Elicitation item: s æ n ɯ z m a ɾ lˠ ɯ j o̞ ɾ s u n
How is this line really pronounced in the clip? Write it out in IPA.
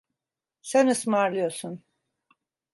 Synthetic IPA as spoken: s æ n ɯ s m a ɾ lˠ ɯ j o̞ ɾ s u n